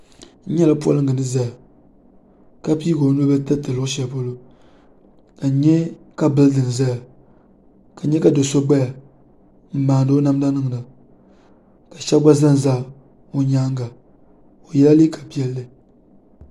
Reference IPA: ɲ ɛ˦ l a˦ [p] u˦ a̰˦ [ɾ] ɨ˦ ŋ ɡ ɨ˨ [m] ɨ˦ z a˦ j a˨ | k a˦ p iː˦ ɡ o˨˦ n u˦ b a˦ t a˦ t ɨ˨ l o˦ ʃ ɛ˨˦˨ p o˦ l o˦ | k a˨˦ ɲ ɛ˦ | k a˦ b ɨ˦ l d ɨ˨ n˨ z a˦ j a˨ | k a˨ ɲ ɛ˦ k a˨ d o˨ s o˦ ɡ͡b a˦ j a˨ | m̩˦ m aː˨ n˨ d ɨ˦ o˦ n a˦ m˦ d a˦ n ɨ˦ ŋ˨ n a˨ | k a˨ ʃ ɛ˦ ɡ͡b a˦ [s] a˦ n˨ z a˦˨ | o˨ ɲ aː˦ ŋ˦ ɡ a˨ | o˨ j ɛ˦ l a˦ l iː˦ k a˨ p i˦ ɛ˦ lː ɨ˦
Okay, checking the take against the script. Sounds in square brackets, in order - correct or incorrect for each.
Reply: correct, incorrect: l, incorrect: n, incorrect: z

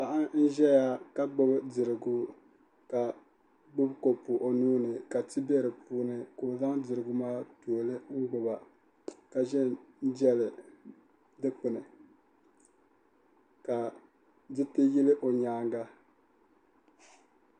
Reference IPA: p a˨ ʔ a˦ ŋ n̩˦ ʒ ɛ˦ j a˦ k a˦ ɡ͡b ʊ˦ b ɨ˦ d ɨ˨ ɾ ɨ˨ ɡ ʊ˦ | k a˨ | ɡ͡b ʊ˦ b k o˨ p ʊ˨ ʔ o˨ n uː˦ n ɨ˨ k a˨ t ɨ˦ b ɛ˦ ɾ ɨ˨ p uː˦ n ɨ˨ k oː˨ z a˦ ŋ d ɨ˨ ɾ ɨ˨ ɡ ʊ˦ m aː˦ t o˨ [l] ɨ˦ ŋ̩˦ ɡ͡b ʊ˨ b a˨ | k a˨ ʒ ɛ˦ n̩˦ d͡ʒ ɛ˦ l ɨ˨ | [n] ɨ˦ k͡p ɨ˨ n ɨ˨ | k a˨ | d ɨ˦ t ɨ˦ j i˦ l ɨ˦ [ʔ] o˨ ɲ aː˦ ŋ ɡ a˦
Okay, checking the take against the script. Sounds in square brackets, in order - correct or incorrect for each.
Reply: correct, incorrect: d, correct

